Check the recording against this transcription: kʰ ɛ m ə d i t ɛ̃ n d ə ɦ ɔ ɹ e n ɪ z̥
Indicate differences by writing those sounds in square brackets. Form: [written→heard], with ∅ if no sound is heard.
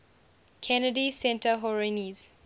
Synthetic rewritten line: kʰ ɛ [m→n] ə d i [t→s] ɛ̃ n [d→t] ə ɦ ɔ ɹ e n [ɪ→i] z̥